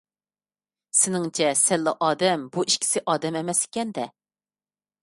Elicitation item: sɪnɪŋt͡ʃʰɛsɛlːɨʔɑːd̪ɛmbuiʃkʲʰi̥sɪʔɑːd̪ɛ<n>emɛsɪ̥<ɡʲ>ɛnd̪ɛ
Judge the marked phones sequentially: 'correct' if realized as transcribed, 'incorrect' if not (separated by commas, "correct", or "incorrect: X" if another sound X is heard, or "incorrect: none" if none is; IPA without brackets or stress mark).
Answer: incorrect: m, incorrect: kʲ